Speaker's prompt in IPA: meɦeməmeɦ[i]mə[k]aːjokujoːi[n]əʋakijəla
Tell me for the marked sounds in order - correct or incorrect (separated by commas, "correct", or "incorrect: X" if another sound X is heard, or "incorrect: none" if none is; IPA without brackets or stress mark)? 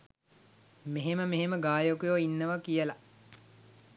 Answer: incorrect: e, incorrect: ɡ, incorrect: nː